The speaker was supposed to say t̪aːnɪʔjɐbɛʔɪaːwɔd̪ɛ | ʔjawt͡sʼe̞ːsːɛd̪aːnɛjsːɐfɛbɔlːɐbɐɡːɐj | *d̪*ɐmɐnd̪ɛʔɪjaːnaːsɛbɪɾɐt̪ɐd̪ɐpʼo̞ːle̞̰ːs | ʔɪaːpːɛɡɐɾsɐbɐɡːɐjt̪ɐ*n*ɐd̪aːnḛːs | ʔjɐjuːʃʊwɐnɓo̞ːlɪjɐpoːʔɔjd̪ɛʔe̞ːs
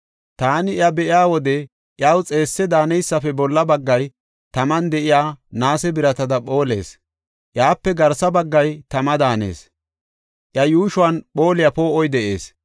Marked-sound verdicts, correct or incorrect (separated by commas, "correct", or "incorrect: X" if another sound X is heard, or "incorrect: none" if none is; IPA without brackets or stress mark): incorrect: t̪, incorrect: m